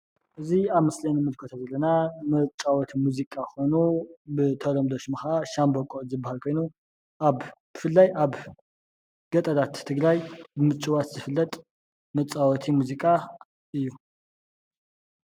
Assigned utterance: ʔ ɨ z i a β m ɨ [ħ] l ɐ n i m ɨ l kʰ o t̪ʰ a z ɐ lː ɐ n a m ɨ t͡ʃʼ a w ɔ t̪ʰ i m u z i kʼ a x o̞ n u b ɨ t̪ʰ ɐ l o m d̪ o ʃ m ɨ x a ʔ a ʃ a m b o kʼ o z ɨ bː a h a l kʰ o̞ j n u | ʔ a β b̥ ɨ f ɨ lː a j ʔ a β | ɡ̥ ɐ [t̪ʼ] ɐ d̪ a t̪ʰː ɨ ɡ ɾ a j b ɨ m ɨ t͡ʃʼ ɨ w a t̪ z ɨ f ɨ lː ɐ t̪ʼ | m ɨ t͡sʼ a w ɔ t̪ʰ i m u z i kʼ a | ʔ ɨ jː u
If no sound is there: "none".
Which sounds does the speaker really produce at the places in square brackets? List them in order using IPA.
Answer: s, t̪ʼ

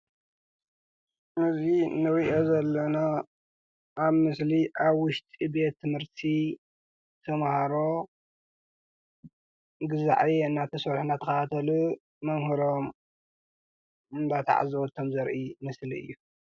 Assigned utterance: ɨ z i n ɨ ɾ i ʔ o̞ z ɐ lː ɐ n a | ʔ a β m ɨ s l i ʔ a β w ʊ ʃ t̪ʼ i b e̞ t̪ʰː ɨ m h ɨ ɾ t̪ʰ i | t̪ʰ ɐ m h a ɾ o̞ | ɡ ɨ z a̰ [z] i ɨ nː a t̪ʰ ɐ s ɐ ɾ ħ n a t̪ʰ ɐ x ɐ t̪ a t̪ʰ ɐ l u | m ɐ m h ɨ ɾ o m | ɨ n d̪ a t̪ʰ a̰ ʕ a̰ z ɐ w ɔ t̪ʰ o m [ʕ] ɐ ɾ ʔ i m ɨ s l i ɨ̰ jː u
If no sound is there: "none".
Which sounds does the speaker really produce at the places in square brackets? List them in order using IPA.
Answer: ʕ, z

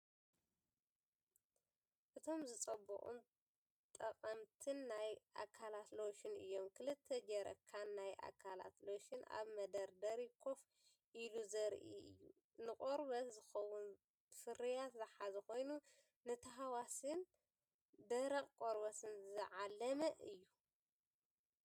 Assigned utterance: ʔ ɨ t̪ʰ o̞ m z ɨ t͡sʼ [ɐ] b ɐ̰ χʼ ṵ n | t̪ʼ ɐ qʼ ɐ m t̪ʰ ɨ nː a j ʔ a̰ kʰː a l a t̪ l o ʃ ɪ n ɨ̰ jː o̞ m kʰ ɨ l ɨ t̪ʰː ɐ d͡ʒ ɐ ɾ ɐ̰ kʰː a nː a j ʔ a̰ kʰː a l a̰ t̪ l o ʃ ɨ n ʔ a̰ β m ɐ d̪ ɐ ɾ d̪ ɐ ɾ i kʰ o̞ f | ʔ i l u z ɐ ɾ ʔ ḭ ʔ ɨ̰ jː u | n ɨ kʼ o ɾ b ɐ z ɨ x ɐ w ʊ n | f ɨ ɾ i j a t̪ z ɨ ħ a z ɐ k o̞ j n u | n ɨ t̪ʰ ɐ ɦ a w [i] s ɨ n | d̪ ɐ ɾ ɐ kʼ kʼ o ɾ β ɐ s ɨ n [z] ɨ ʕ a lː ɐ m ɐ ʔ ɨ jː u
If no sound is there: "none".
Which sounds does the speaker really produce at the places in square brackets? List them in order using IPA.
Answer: ɐ, a, z

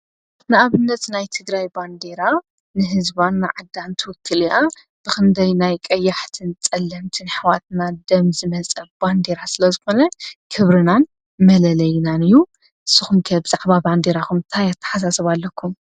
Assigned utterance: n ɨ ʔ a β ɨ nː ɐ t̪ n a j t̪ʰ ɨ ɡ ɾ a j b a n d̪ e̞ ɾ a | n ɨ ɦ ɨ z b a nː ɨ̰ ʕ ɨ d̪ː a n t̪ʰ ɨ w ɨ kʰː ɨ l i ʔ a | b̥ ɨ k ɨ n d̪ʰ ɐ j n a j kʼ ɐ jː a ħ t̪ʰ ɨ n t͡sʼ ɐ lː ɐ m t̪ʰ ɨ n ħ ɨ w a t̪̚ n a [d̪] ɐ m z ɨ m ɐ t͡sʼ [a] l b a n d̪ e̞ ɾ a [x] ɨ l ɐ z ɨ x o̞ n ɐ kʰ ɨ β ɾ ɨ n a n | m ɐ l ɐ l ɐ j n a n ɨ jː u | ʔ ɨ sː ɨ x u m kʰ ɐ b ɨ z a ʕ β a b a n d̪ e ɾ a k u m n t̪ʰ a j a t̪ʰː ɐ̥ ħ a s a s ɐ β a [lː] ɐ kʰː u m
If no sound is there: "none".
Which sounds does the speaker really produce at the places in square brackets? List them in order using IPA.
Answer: d̪, ɐ, s, lː

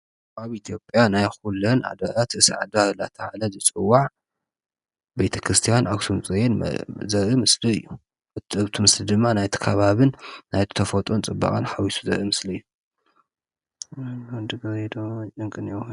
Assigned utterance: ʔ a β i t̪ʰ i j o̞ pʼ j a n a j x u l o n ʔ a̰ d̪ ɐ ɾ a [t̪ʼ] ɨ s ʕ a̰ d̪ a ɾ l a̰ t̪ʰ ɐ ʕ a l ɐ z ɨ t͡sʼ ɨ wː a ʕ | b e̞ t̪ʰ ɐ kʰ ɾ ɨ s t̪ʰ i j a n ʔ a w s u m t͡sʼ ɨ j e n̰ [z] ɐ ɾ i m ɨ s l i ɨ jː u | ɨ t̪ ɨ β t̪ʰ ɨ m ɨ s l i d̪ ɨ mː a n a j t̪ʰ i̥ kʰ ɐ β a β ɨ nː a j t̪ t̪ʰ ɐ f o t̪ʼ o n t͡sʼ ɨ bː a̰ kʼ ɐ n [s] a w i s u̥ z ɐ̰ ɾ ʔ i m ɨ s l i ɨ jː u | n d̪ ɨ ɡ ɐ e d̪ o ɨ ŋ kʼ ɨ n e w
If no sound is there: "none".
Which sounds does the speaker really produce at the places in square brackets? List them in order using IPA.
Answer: t̪, z, ħ

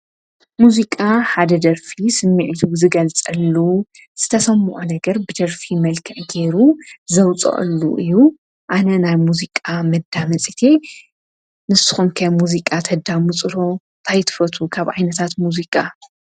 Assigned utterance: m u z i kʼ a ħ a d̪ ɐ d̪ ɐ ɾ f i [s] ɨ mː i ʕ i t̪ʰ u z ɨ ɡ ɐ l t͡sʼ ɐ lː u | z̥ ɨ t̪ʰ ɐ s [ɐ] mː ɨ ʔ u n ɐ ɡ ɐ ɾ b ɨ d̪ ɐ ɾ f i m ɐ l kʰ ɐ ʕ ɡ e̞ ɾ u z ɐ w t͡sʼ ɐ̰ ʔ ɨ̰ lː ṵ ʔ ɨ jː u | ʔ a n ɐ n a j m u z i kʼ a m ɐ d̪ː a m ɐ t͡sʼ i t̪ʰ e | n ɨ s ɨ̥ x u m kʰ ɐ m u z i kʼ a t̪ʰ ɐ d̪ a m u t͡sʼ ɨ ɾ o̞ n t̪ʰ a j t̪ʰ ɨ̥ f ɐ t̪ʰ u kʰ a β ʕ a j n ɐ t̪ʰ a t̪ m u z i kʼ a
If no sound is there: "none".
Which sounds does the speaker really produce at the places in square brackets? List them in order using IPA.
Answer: s, ɐ

